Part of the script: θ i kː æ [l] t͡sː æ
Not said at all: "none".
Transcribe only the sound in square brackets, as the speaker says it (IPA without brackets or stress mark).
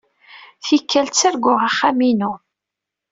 l